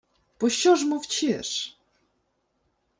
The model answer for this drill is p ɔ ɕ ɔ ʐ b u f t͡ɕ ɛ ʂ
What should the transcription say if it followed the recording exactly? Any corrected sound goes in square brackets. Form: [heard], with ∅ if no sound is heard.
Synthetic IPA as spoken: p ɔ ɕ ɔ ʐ [m] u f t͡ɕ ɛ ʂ